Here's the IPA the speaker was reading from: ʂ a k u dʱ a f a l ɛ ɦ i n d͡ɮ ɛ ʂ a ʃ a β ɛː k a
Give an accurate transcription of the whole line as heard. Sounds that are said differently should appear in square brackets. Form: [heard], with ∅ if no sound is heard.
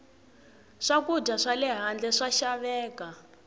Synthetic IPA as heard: ʂ a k u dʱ a [ʂ] a l ɛ ɦ [a] n d͡ɮ ɛ ʂ a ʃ a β ɛː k a